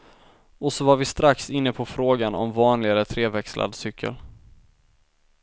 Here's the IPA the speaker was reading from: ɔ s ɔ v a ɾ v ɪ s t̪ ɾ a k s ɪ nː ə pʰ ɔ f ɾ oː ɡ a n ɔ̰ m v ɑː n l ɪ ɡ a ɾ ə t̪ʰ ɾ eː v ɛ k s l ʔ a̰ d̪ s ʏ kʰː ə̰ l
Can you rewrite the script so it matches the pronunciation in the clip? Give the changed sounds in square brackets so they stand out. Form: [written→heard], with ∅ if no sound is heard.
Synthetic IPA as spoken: ɔ s ɔ v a ɾ v ɪ s t̪ ɾ a k s ɪ nː ə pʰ ɔ f ɾ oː ɡ a n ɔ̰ m v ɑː n l ɪ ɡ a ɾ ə t̪ʰ ɾ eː v ɛ k s l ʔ a̰ d̪ s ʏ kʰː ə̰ l

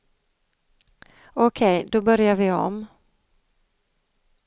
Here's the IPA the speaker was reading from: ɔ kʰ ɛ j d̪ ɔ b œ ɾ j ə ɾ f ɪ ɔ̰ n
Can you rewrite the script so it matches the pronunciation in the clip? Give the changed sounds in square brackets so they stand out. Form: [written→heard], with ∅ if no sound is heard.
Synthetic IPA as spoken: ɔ kʰ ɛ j d̪ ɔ b œ ɾ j [ə→a] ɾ [f→v] ɪ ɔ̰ [n→m]

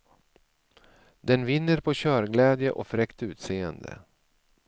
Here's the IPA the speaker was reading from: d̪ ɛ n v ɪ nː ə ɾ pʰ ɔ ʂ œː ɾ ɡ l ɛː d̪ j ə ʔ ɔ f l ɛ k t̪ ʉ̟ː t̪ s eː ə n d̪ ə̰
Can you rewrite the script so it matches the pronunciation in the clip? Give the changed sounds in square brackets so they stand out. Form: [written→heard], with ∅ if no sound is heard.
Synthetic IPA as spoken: d̪ ɛ n v ɪ nː ə ɾ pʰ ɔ [ʂ→ɕ] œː ɾ ɡ l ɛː d̪ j ə ʔ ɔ f [l→ɾ] ɛ k t̪ ʉ̟ː t̪ s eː ə n d̪ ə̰

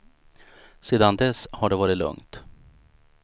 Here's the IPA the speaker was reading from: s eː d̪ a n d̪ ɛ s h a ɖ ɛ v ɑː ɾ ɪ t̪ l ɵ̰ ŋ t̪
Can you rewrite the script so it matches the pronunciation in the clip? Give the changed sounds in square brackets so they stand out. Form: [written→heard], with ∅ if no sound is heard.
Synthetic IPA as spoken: s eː d̪ a n d̪ ɛ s h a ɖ ɛ v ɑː ɾ ɪ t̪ l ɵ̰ ŋ t̪

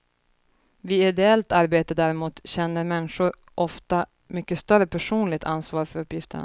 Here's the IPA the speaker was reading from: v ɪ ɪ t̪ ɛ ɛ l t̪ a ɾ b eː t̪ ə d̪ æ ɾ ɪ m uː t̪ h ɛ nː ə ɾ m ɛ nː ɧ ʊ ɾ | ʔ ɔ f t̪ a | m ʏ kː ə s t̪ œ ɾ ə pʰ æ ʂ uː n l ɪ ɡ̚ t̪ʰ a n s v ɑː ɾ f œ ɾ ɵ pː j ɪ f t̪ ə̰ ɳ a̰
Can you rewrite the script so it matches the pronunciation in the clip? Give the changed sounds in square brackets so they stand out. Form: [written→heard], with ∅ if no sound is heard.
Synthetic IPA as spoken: v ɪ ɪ [t̪→d̪] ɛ ɛ l t̪ a ɾ b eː t̪ ə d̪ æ ɾ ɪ m uː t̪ [h→ɕ] ɛ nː ə ɾ m ɛ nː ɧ ʊ ɾ | ʔ ɔ f t̪ a | m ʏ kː ə s t̪ œ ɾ ə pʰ æ ʂ uː n l ɪ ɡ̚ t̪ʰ a n s v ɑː ɾ f œ ɾ ɵ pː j ɪ f t̪ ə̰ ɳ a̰

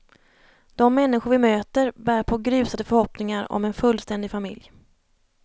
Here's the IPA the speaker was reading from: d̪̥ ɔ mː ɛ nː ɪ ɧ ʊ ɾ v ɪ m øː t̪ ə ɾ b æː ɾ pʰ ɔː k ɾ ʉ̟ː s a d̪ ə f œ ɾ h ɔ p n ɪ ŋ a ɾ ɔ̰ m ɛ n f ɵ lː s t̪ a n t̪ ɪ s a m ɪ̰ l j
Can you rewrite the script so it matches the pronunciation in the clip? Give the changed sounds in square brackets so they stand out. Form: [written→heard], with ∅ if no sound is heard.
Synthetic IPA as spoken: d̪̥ ɔ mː ɛ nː ɪ ɧ ʊ ɾ v ɪ m øː t̪ ə ɾ b æː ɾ pʰ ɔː [k→ɡ] ɾ ʉ̟ː s a d̪ ə f œ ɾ h ɔ p n ɪ ŋ a ɾ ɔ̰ m ɛ n f ɵ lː s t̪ [a→ɛ] n [t̪→d̪] ɪ [s→f] a m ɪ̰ l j

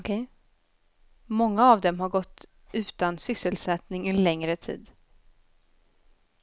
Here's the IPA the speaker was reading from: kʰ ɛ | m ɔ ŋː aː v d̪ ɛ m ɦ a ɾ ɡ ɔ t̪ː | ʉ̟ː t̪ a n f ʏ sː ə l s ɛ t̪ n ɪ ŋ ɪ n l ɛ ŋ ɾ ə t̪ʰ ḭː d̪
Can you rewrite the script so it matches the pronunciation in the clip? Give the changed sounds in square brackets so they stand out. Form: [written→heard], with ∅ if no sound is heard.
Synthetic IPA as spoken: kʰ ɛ | m ɔ ŋː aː v d̪ ɛ m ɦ a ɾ ɡ ɔ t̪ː | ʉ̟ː t̪ a n [f→s] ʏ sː ə l s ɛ t̪ n ɪ ŋ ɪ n l ɛ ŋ ɾ ə t̪ʰ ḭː d̪

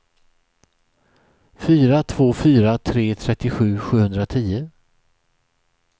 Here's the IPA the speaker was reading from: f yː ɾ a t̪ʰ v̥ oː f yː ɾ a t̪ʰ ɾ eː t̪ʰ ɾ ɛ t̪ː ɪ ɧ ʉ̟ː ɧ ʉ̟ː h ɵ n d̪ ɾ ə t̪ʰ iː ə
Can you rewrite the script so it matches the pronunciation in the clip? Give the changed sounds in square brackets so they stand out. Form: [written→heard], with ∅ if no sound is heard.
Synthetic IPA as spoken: f yː ɾ a t̪ʰ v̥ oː f yː ɾ a t̪ʰ ɾ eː t̪ʰ ɾ ɛ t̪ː ɪ ɧ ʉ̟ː ɧ ʉ̟ː h ɵ n d̪ ɾ [ə→a] t̪ʰ iː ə

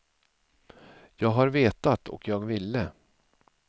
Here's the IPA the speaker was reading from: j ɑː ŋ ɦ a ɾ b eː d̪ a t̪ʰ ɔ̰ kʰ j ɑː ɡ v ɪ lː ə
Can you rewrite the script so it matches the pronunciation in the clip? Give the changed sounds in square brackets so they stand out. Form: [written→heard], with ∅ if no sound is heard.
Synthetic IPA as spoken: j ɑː [ŋ→ɡ] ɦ a ɾ [b→v] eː [d̪→t̪] a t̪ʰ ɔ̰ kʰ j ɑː ɡ v ɪ lː ə

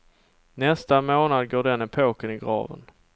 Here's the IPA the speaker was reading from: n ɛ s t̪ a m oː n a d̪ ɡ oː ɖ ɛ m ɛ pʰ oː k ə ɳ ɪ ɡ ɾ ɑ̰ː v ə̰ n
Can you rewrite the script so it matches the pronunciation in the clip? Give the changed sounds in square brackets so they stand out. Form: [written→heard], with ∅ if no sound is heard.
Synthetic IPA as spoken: n ɛ s t̪ a m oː n a d̪ ɡ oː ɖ ɛ [m→n] ɛ pʰ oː k ə [ɳ→n] ɪ ɡ ɾ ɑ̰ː v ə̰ n

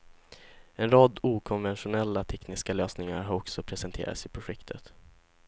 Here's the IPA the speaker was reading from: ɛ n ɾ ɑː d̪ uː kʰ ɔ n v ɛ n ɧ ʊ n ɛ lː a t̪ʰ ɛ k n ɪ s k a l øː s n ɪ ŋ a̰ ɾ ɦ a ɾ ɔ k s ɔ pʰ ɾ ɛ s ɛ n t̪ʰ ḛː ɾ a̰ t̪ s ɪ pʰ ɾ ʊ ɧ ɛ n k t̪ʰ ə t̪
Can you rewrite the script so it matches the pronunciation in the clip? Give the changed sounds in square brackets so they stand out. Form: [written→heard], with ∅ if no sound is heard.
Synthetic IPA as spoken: ɛ n ɾ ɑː d̪ uː kʰ ɔ n v ɛ n ɧ ʊ n ɛ lː a t̪ʰ ɛ k n ɪ s k a l øː s n ɪ ŋ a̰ ɾ ɦ a ɾ ɔ k s ɔ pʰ ɾ ɛ s ɛ n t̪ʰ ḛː ɾ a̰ t̪ s ɪ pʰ ɾ ʊ ɧ ɛ [n→∅] k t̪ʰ ə t̪

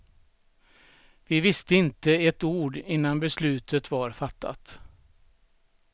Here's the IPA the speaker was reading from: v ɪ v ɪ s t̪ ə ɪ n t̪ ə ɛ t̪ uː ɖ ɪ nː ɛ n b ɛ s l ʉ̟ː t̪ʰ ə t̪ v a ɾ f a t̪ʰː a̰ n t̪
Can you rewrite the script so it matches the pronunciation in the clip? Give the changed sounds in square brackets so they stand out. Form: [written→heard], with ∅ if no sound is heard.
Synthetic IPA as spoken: v ɪ v ɪ s t̪ ə ɪ n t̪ ə ɛ t̪ uː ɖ ɪ nː [ɛ→a] n b ɛ s l ʉ̟ː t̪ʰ ə t̪ v a ɾ f a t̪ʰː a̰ [n→∅] t̪

